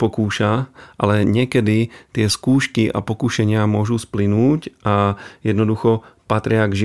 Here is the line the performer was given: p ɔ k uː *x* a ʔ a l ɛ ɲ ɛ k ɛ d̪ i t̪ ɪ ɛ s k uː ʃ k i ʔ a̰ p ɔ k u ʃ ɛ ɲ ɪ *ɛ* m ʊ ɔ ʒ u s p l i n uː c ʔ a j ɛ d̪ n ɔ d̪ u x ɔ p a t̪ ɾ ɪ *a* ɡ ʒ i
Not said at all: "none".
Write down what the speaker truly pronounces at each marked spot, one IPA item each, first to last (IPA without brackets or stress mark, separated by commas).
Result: ʃ, a, a